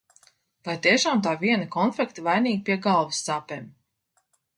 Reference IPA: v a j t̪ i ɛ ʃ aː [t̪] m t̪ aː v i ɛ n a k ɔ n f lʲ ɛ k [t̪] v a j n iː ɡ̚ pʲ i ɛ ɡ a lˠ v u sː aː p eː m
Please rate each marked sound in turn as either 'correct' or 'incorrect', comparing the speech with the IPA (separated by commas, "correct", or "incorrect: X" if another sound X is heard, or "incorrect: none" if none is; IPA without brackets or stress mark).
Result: incorrect: none, correct